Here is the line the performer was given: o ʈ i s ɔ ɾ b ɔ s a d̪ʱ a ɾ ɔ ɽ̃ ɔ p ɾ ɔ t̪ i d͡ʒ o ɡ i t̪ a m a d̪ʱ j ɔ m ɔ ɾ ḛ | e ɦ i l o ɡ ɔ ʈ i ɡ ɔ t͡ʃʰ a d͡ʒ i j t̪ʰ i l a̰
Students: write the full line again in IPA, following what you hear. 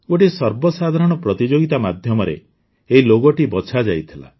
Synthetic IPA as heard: o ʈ i s ɔ ɾ b ɔ s a d̪ʱ a ɾ ɔ ɽ̃ ɔ p ɾ ɔ t̪ i d͡ʒ o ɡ i t̪ a m a d̪ʱ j ɔ m ɔ ɾ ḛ | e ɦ i l o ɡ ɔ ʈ i b ɔ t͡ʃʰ a d͡ʒ a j t̪ʰ i l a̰